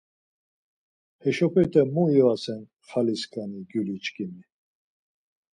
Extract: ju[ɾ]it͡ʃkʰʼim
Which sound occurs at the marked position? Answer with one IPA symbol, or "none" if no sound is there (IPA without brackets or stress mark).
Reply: l